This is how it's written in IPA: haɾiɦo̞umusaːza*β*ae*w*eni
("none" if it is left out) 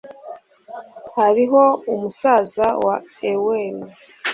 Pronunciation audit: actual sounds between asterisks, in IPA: w, w

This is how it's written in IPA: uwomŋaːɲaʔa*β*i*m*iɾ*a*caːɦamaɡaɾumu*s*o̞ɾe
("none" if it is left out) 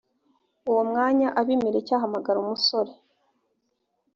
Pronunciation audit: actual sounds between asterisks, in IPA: β, m, e, s

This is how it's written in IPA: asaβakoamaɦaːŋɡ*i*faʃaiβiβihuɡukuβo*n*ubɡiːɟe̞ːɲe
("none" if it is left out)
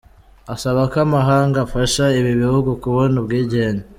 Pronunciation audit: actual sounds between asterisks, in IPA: a, n

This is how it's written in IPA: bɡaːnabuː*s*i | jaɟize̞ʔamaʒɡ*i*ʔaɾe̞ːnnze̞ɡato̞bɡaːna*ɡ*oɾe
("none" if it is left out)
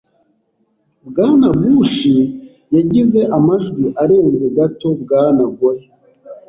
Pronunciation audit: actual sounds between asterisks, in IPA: ʃ, i, ɡ

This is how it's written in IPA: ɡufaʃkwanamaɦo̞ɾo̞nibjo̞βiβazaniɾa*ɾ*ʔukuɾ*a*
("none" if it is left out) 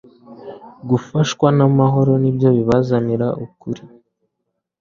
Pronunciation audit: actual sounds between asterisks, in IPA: none, i

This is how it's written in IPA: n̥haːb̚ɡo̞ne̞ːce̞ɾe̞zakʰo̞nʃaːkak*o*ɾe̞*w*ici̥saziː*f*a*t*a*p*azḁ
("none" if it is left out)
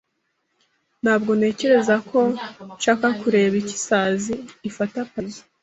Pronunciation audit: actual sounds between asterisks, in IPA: u, β, f, t, p

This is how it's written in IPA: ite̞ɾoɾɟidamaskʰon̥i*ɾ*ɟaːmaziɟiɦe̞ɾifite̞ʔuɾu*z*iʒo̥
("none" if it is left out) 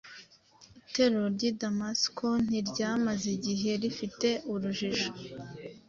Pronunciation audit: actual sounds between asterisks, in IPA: ɾ, ʒ

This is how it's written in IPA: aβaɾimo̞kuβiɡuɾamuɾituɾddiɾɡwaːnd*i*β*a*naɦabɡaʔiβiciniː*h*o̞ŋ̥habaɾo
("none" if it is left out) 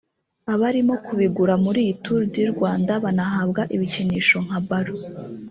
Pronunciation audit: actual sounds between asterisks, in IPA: a, a, ʃ

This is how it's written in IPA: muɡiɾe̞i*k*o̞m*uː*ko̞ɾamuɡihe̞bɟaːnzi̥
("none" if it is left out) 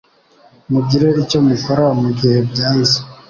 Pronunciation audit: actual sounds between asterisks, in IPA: c, u

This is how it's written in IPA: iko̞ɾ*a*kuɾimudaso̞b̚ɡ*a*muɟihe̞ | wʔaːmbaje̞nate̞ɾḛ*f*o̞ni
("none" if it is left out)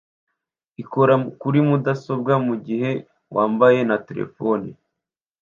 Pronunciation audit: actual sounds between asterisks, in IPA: a, a, f

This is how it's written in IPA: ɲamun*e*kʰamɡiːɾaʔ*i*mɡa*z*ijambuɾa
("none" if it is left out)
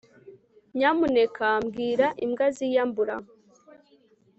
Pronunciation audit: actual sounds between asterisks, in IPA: e, i, z

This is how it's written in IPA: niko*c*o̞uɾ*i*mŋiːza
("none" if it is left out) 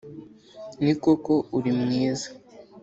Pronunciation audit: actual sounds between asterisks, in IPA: k, i

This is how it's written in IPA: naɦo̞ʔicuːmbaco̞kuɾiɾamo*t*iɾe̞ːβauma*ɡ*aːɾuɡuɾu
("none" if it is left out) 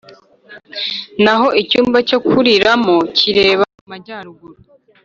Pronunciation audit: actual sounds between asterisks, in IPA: c, ɟ

